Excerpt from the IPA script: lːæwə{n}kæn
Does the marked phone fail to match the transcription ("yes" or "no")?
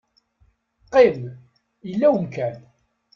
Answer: yes